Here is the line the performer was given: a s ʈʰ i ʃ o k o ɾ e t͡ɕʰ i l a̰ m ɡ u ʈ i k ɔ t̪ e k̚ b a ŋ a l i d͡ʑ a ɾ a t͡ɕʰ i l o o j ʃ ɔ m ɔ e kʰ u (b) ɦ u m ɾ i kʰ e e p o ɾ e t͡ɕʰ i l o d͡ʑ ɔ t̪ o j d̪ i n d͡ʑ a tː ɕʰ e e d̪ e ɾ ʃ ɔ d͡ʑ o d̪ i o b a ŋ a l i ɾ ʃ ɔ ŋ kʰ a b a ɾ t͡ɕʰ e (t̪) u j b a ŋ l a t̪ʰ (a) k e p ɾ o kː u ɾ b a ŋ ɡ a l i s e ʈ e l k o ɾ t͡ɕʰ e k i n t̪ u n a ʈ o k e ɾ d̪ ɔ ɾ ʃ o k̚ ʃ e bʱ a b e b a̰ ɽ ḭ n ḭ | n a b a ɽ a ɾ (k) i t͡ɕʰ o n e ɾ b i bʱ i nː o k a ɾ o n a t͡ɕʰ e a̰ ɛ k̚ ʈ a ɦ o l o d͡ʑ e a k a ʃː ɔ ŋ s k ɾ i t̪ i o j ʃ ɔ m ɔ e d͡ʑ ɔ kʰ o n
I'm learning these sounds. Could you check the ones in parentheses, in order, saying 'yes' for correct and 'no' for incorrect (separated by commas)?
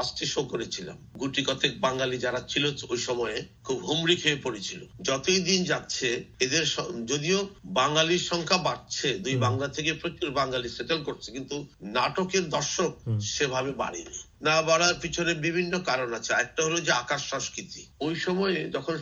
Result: yes, no, no, no